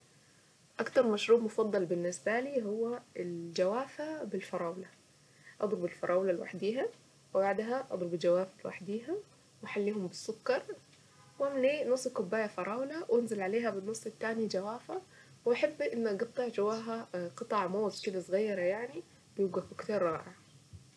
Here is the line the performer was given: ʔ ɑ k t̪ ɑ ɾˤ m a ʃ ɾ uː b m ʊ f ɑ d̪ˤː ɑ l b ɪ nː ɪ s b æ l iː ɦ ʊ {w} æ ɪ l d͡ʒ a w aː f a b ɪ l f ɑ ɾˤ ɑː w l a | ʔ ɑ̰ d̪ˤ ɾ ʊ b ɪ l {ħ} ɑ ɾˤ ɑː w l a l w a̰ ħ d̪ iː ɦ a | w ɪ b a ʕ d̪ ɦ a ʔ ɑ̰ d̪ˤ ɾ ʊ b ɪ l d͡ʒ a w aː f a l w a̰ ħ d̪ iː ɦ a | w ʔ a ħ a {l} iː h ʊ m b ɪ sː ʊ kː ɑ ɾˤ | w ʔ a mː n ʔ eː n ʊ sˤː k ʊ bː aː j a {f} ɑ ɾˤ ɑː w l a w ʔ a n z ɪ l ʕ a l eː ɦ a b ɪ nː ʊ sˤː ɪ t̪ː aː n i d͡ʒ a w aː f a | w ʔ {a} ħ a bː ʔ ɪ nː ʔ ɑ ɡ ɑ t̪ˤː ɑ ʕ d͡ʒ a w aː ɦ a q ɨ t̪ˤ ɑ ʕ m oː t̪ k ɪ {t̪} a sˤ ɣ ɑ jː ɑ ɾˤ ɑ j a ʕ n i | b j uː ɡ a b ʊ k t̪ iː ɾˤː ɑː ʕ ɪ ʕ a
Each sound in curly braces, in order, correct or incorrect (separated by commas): incorrect, incorrect, incorrect, correct, correct, incorrect